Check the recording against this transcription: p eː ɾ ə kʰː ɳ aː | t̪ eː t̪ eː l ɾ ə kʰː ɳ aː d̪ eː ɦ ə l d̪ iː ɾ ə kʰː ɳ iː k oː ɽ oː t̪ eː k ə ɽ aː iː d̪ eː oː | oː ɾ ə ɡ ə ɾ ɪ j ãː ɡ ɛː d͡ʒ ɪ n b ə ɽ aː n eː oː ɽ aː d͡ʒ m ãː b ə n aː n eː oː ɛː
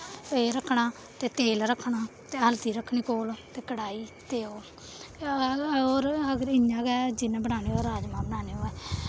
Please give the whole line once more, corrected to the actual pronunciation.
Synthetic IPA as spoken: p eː ɾ ə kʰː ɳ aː | t̪ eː t̪ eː l ɾ ə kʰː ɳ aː t̪ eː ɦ ə l t̪ iː ɾ ə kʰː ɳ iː k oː l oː t̪ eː k ə ɽ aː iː t̪ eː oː | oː ɾ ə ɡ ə ɾ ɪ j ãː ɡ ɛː d͡ʒ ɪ n b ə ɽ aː n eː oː ɾ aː d͡ʒ m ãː b ə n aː n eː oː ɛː

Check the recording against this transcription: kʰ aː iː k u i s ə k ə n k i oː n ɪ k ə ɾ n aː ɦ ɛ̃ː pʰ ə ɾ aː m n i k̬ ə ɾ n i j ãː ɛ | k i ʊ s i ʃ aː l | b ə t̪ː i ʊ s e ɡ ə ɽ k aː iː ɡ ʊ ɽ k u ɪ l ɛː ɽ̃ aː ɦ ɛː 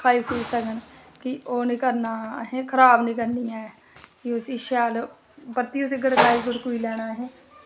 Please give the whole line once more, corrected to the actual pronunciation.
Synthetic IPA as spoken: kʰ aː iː k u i s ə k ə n k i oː n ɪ k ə ɾ n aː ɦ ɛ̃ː kʰ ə ɾ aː b n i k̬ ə ɾ n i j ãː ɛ | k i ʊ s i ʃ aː l | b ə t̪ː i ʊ s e ɡ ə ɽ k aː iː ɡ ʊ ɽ k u i l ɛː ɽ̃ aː ɦ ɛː

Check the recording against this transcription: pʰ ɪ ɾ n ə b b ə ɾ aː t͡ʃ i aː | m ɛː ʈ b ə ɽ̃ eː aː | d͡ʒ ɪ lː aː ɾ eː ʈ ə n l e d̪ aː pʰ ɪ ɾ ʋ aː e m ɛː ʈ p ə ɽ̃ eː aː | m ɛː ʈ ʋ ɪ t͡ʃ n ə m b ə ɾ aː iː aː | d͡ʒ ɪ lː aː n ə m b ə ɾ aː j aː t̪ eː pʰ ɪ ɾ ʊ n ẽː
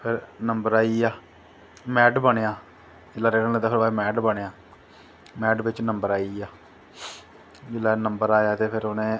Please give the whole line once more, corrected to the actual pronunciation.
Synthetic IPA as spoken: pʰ ɪ ɾ n ə m b ə ɾ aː i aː | m ɛː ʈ b ə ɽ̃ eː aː | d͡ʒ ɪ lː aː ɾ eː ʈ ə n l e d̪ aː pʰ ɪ ɾ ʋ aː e m ɛː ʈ b ə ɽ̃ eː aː | m ɛː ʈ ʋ ɪ t͡ʃ n ə m b ə ɾ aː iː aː | d͡ʒ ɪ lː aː n ə m b ə ɾ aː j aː t̪ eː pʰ ɪ ɾ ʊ n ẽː

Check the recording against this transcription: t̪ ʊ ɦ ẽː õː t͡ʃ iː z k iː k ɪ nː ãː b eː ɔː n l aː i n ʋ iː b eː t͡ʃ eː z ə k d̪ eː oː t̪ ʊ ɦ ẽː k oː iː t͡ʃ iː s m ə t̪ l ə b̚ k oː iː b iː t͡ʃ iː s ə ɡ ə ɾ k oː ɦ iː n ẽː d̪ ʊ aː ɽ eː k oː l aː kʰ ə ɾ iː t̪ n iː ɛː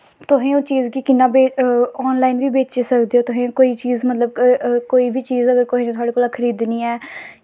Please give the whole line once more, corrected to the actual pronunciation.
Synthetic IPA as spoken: t̪ ʊ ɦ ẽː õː t͡ʃ iː z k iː k ɪ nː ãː b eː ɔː n l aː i n ʋ iː b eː t͡ʃ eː s ə k d̪ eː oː t̪ ʊ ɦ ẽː k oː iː t͡ʃ iː z m ə t̪ l ə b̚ k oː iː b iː t͡ʃ iː z ə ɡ ə ɾ k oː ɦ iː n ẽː t̪ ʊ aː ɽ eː k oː l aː kʰ ə ɾ iː d̪ n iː ɛː

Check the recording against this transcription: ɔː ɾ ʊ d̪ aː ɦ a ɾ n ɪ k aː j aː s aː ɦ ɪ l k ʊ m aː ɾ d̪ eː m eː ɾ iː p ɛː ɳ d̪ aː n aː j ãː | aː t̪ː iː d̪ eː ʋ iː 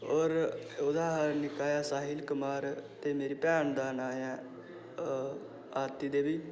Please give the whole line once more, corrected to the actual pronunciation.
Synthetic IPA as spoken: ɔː ɾ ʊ d̪ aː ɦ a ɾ n ɪ k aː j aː s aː ɦ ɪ l k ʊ m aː ɾ t̪ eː m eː ɾ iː p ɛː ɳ d̪ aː n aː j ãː | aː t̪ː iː d̪ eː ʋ iː

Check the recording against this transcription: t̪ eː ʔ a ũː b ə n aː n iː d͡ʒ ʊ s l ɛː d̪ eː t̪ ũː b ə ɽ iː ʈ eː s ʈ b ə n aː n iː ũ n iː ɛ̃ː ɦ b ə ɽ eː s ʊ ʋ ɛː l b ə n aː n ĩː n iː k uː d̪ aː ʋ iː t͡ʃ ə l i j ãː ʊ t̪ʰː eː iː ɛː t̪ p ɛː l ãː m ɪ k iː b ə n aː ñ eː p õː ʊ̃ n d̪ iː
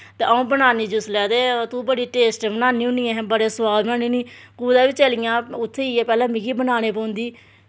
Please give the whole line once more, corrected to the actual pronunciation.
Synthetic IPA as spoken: t̪ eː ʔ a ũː b ə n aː n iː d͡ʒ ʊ s l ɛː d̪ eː t̪ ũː b ə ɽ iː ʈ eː s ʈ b ə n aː n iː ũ n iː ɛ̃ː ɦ b ə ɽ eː s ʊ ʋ aː l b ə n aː n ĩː n iː k uː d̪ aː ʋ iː t͡ʃ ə l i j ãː ʊ t̪ʰː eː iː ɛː p ɛː l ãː m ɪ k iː b ə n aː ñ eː p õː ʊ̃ n d̪ iː

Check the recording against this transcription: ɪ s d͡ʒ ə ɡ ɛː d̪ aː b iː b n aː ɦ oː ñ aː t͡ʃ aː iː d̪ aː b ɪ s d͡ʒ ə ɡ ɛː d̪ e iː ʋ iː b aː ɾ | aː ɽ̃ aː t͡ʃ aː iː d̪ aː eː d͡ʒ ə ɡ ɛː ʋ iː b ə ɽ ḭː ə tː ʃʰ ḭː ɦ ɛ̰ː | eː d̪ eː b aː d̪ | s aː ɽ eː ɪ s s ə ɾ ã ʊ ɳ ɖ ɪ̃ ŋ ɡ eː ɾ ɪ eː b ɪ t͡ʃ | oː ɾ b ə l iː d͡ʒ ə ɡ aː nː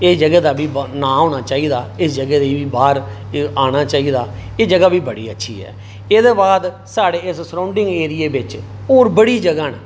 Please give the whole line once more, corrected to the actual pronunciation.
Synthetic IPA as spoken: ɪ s d͡ʒ ə ɡ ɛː d̪ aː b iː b n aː ɦ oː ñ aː t͡ʃ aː iː d̪ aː ɪ s d͡ʒ ə ɡ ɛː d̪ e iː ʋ iː b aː ɾ | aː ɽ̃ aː t͡ʃ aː iː d̪ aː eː d͡ʒ ə ɡ aː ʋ iː b ə ɽ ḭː ə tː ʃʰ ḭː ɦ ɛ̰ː | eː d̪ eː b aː d̪ | s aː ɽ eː ɪ s s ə ɾ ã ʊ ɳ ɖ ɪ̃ ŋ ɡ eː ɾ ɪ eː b ɪ t͡ʃ | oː ɾ b ə ɽ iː d͡ʒ ə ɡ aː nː

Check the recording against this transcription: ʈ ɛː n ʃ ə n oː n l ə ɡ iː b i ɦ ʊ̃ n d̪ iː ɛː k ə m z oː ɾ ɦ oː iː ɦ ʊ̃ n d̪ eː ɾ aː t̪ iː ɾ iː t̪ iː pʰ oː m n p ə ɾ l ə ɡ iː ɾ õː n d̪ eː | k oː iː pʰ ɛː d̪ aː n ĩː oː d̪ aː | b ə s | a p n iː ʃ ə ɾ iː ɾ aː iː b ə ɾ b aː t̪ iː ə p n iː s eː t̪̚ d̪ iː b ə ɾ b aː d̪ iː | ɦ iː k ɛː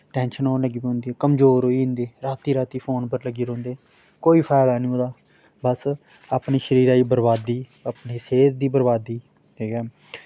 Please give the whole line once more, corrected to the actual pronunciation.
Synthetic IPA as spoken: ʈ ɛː n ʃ ə n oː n l ə ɡ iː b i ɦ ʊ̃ n d̪ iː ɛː k ə m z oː ɾ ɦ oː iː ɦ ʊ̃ n d̪ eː ɾ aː t̪ iː ɾ aː t̪ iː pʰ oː n p ə ɾ l ə ɡ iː ɾ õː n d̪ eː | k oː iː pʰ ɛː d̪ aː n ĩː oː d̪ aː | b ə s | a p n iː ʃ ə ɾ iː ɾ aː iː b ə ɾ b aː d̪ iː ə p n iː s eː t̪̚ d̪ iː b ə ɾ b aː d̪ iː | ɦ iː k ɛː

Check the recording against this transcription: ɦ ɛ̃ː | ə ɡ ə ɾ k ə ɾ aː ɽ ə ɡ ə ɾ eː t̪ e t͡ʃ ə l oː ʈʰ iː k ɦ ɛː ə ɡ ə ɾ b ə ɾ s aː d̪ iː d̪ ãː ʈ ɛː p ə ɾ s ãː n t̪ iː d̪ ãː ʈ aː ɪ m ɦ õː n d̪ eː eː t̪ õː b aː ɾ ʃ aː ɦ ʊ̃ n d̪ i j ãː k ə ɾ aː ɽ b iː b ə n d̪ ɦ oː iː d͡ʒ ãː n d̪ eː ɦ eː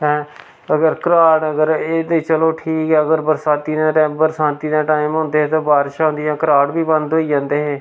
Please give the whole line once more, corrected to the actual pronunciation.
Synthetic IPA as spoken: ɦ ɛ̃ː | ə ɡ ə ɾ k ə ɾ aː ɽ ə ɡ ə ɾ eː d̪ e t͡ʃ ə l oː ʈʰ iː k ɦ ɛː ə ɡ ə ɾ b ə ɾ s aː t̪ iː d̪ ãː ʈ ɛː b ə ɾ s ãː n t̪ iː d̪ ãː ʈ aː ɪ m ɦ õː n d̪ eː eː t̪ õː b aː ɾ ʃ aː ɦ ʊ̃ n d̪ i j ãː k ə ɾ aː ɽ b iː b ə n d̪ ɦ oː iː d͡ʒ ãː n d̪ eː ɦ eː

